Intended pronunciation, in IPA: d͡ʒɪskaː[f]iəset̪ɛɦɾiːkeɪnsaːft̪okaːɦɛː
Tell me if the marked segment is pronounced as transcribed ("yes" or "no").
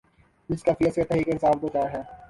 yes